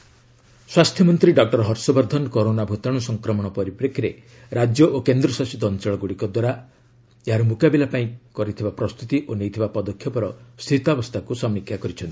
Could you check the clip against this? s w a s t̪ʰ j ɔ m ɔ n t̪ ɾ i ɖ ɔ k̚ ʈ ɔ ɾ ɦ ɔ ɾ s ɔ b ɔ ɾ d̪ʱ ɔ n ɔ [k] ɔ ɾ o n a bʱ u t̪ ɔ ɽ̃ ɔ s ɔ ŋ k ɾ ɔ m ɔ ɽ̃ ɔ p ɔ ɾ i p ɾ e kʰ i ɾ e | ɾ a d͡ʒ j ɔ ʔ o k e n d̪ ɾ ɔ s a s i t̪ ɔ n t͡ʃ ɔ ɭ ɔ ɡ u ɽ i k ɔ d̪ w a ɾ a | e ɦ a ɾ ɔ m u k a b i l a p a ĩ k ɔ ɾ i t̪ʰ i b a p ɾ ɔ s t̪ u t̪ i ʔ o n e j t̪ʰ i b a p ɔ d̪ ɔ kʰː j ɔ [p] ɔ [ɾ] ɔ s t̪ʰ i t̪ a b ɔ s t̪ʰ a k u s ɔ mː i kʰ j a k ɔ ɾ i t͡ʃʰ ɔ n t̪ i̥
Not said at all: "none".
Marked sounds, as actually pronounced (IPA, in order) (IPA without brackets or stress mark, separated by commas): k, p, ɾ